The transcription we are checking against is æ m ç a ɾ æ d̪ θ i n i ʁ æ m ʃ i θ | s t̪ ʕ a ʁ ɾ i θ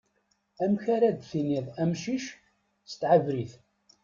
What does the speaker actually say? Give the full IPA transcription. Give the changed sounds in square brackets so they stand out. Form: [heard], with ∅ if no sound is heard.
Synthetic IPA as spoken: æ m ç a ɾ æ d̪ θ i n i [ð] æ m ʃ i [ʃ] | s t̪ ʕ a [v] ɾ i θ